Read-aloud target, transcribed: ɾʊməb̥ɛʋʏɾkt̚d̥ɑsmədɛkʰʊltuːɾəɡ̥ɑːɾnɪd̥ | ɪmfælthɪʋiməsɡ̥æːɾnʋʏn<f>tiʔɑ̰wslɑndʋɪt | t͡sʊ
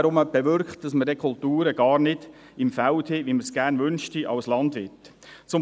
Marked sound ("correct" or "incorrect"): incorrect